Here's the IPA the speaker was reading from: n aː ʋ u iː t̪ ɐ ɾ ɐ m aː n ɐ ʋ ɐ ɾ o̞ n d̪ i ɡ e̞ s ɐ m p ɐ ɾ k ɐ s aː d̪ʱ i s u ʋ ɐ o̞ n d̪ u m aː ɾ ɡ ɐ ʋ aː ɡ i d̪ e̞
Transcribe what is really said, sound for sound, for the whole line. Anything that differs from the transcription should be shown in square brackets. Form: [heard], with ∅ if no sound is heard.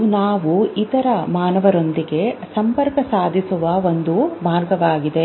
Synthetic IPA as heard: n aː ʋ u [i] t̪ ɐ ɾ ɐ m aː n ɐ ʋ ɐ ɾ o̞ n d̪ i ɡ e̞ s ɐ m p ɐ ɾ k ɐ s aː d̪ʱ i s u ʋ ɐ o̞ n d̪ u m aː ɾ ɡ ɐ ʋ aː ɡ i d̪ e̞